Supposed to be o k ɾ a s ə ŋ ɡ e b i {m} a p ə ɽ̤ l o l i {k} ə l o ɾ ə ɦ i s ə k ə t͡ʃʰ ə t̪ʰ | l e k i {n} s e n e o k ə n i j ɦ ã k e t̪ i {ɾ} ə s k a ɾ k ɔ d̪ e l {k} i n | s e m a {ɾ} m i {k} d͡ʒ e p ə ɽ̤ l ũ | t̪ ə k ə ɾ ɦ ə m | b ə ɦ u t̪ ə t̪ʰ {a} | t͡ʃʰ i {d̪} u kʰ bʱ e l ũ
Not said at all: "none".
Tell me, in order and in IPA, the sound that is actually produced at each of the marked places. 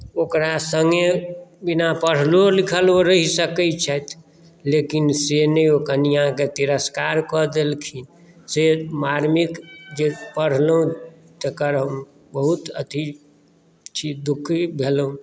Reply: n, kʰ, n, ɾ, kʰ, ɾ, k, i, d̪

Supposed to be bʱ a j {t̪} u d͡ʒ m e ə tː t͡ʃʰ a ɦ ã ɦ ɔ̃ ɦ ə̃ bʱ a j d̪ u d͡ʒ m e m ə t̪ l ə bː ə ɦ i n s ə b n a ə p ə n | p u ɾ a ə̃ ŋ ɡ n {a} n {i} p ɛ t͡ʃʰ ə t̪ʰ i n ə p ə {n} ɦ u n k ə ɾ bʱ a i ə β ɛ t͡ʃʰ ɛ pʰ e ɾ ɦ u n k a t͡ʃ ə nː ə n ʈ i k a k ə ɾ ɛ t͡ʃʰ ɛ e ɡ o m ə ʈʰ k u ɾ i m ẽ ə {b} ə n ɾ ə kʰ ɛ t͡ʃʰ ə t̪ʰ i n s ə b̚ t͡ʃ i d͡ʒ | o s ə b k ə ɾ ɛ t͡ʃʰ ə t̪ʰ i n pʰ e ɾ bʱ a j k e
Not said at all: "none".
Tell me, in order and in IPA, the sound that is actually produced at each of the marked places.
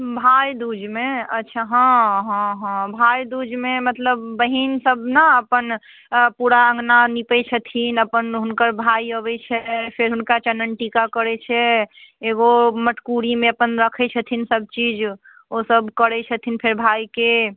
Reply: d̪, a, i, n, p

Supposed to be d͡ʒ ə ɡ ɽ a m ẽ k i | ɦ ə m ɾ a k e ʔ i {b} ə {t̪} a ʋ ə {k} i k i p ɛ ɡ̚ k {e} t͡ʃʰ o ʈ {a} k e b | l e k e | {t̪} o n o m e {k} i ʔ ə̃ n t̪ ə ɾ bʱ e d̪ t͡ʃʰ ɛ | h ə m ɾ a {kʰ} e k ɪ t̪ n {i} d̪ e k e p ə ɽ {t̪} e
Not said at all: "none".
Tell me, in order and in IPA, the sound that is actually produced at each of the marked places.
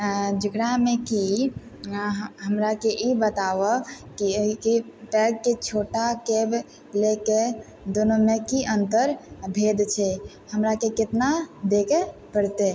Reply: b, t̪, k, e, a, d̪, k, k, a, t̪

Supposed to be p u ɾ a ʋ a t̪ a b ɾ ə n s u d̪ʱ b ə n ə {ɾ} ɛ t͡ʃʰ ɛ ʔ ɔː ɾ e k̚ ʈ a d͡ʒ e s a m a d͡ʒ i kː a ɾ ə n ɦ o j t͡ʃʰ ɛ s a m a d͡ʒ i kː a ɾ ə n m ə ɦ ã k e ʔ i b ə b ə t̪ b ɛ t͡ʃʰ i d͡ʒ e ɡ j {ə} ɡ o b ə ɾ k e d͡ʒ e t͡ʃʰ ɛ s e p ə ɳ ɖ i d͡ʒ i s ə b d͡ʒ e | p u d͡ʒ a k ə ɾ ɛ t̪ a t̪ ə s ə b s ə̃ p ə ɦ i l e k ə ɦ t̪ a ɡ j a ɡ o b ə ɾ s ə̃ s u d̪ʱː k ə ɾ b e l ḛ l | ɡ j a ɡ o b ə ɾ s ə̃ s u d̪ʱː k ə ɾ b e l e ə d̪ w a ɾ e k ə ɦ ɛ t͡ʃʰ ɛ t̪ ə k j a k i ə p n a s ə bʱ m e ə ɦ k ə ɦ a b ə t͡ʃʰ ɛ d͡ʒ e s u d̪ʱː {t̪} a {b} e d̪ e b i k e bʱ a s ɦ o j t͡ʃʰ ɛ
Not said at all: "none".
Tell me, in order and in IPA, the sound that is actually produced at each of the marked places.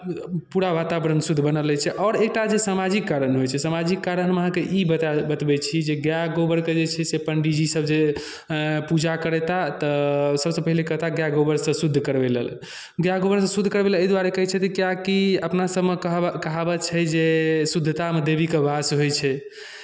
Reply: l, a, t̪, m

